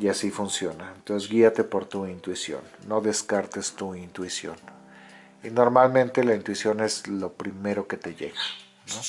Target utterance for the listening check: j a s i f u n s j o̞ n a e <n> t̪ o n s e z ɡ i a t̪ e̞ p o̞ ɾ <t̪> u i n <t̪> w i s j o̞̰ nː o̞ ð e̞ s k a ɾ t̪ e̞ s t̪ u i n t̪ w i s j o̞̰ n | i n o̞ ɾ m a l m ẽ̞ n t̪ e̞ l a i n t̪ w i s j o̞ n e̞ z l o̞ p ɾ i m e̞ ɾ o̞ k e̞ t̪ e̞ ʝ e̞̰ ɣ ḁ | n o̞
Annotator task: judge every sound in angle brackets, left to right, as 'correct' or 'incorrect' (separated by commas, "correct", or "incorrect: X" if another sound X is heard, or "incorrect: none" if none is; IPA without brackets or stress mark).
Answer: correct, correct, correct